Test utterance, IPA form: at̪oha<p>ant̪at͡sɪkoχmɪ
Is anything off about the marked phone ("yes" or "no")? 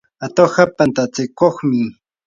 no